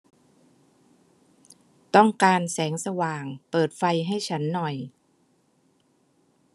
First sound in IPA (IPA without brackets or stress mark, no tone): t̪